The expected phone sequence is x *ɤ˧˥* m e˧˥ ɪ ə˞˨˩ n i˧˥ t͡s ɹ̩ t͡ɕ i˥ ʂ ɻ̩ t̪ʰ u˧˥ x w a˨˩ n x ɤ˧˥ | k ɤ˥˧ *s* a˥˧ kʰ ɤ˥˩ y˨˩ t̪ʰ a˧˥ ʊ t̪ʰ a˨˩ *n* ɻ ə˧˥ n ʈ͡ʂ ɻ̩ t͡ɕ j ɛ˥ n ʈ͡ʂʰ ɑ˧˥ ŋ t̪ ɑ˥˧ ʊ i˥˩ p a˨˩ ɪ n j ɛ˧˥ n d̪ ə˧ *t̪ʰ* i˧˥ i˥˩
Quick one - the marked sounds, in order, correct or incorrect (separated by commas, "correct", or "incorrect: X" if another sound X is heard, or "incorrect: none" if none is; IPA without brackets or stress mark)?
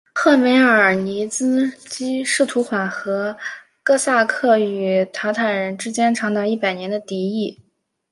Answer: incorrect: ɤ˥˩, correct, correct, incorrect: t̪